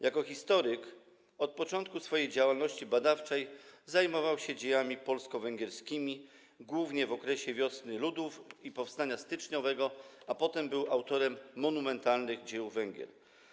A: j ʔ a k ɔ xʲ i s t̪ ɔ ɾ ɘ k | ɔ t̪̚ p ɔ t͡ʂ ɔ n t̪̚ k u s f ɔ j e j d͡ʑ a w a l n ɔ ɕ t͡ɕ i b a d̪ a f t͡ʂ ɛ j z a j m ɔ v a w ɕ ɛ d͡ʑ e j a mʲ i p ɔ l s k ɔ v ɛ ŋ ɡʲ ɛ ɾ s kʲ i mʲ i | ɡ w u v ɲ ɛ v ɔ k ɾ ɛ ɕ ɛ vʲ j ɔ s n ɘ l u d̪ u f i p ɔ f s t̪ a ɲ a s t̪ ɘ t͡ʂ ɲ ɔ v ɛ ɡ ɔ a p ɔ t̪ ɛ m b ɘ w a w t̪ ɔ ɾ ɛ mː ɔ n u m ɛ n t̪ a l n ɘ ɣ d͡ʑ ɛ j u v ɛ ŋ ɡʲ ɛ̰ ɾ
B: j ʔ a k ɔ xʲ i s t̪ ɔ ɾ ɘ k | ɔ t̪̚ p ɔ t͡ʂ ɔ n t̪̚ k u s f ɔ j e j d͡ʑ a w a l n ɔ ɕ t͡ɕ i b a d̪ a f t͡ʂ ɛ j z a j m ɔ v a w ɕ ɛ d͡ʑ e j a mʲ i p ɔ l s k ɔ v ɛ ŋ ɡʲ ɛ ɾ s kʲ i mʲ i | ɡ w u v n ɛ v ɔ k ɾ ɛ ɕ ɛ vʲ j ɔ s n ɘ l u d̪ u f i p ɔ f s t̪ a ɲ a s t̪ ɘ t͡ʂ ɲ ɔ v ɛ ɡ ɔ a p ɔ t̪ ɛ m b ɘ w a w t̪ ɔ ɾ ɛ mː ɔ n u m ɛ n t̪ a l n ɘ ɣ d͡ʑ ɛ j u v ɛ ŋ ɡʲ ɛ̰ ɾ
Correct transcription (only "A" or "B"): A